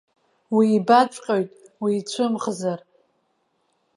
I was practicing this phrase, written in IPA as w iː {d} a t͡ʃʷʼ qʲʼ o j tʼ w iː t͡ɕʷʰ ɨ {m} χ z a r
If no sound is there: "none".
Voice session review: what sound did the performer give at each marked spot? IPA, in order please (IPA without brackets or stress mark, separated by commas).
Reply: b, m